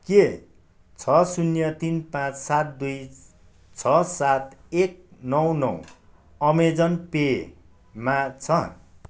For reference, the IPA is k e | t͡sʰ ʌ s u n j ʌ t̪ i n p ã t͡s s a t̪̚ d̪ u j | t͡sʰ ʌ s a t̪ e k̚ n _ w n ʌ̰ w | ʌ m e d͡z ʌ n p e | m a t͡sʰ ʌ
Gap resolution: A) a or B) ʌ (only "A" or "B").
B